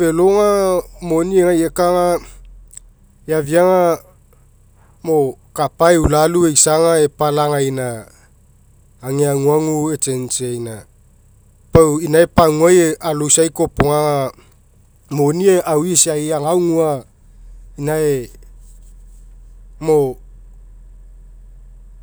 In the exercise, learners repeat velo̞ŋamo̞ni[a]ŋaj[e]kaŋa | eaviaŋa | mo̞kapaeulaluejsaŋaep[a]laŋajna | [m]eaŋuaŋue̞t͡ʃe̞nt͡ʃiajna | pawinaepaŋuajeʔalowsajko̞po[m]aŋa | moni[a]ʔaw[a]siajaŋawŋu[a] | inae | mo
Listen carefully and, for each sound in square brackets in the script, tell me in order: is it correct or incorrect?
incorrect, correct, correct, incorrect, incorrect, incorrect, incorrect, correct

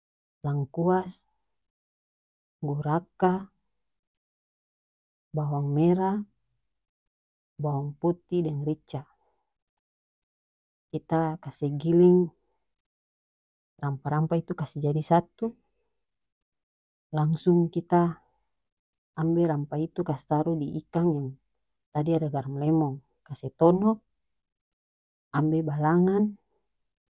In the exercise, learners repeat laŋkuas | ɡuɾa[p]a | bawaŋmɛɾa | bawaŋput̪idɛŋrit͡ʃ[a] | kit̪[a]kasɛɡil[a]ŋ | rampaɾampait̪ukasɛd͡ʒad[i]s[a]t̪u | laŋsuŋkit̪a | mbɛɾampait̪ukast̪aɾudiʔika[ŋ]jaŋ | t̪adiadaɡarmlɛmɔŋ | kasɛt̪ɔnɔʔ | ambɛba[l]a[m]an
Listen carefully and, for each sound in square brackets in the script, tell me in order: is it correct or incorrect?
incorrect, correct, correct, incorrect, correct, correct, correct, correct, incorrect

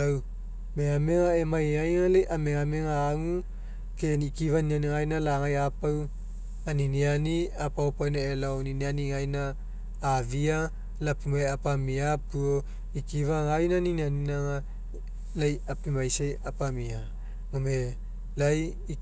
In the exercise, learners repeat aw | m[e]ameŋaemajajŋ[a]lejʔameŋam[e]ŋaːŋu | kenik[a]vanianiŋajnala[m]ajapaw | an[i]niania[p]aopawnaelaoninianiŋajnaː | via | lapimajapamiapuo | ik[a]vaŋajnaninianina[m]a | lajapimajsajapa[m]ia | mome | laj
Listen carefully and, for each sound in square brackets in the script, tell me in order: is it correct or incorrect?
correct, correct, correct, incorrect, incorrect, correct, correct, incorrect, incorrect, correct

